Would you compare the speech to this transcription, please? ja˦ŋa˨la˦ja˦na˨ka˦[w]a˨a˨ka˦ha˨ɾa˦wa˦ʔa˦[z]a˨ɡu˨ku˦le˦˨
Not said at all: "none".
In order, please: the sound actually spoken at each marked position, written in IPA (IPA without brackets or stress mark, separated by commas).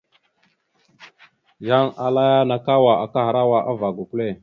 w, v